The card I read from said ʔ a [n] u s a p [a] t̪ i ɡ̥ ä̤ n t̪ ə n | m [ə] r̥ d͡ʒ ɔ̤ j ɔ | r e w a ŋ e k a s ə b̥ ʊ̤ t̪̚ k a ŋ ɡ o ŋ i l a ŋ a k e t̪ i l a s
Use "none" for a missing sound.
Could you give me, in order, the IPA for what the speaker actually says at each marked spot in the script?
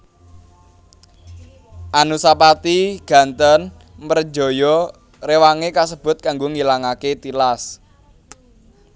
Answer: n, a, ə

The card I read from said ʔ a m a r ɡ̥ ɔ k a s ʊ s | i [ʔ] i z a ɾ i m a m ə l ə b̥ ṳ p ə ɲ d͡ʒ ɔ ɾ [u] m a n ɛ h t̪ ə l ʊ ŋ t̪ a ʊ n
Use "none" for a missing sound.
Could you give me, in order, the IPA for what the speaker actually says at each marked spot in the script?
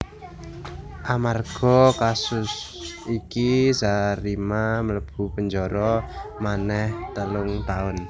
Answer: k, ɔ

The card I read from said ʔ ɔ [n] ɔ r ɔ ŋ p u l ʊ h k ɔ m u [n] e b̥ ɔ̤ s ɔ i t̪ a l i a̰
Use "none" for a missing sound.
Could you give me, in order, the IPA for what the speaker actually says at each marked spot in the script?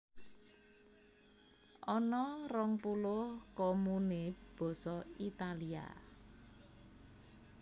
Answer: n, n

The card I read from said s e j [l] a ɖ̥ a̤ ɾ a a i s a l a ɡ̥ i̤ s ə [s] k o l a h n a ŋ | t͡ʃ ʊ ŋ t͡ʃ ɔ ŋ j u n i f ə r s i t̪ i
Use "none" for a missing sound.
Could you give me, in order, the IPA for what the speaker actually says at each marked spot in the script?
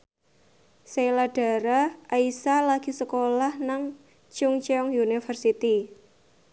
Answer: l, none

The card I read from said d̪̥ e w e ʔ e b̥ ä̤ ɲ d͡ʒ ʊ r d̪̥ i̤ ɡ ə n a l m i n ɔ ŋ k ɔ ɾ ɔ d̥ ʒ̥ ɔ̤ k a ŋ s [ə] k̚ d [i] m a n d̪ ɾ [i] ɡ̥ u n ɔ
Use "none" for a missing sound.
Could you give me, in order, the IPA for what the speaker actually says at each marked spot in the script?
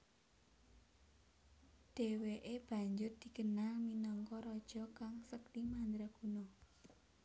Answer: ə, i, a

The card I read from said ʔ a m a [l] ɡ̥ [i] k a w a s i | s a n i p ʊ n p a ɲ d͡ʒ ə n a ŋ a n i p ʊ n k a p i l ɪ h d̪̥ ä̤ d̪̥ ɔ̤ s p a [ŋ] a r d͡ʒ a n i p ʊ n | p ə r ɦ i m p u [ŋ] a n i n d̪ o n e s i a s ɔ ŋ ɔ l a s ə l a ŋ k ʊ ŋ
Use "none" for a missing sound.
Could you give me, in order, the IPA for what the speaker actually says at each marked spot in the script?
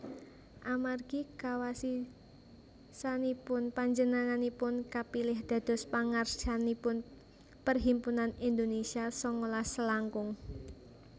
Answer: r, i, ŋ, n

